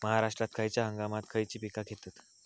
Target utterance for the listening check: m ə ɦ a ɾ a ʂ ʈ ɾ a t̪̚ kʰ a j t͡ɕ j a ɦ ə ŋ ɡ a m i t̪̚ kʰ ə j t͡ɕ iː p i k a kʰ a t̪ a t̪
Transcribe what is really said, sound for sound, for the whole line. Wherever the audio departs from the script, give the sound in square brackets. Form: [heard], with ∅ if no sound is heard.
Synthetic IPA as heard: m ə ɦ a ɾ a ʂ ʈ ɾ a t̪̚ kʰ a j t͡ɕ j a ɦ ə ŋ ɡ a m [a] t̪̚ kʰ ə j t͡ɕ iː p i k a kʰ [e] t̪ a t̪